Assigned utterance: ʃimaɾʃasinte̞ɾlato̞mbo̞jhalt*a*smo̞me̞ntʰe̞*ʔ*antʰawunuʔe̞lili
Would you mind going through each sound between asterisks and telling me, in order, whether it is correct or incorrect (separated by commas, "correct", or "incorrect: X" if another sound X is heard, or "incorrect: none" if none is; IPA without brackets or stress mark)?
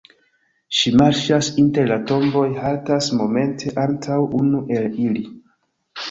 correct, correct